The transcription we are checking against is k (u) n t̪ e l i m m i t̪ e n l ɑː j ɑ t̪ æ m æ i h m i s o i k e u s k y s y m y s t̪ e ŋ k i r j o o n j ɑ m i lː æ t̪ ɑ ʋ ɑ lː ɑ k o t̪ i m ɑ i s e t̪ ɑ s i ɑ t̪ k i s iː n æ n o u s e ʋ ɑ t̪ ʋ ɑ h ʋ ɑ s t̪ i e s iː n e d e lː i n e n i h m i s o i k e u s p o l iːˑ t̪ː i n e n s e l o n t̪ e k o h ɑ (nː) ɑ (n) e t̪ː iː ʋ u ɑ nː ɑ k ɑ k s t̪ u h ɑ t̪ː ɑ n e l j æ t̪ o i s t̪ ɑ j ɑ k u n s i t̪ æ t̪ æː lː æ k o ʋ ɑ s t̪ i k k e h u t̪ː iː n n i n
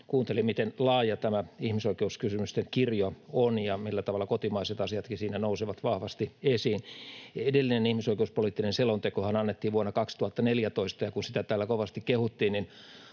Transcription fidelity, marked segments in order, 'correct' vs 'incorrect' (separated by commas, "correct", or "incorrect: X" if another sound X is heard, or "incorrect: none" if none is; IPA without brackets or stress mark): incorrect: uː, incorrect: n, incorrect: nː